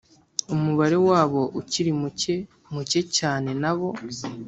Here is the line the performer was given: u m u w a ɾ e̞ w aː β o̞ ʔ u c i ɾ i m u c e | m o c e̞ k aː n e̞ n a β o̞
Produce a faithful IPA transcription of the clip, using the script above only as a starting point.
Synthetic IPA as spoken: u m u β a ɾ e̞ w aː β o̞ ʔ u c i ɾ i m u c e | m u c e̞ c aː n e̞ n a β o̞